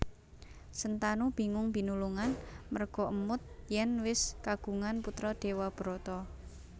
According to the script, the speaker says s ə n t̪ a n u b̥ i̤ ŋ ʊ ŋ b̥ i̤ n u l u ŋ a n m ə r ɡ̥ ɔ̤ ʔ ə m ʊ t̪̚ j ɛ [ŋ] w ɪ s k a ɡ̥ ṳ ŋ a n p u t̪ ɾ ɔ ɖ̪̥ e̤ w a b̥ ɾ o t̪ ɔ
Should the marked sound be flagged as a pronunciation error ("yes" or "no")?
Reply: yes